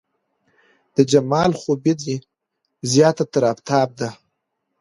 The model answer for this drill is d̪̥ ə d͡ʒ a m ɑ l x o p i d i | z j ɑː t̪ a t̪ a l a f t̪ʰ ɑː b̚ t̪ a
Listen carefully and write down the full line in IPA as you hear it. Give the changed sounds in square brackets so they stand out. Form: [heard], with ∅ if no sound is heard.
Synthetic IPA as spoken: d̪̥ ə d͡ʒ a m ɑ l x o [b] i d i | z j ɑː t̪ a t̪ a [ɾ] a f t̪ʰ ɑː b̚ [d̪] a